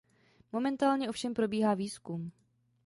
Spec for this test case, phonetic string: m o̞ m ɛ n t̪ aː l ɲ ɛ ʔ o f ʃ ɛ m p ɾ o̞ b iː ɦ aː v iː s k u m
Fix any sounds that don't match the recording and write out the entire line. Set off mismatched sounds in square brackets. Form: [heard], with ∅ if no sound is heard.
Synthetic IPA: m o̞ m ɛ n t̪ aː l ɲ ɛ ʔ o f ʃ ɛ m p ɾ o̞ b iː ɦ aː v iː s k u m